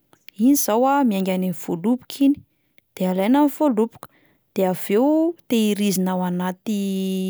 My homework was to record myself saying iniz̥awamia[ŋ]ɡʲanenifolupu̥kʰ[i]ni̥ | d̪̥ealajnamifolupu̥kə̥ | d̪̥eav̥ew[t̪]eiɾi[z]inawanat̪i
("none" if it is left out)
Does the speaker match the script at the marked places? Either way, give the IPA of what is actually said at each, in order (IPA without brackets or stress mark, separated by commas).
ŋ, i, t̪, z